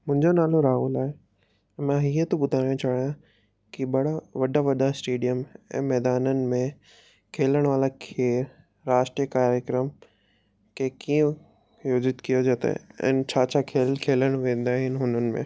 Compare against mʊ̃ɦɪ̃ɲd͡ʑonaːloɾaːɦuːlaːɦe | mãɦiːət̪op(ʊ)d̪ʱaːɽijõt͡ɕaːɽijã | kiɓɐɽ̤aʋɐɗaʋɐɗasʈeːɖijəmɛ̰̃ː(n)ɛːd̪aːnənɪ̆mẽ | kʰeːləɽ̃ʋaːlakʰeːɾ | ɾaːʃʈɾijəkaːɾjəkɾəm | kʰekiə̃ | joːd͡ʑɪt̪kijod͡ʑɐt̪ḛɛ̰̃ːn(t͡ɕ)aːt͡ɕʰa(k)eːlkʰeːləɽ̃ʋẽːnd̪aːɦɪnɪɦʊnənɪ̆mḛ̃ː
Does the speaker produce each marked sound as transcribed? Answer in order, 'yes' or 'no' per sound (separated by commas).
yes, no, no, no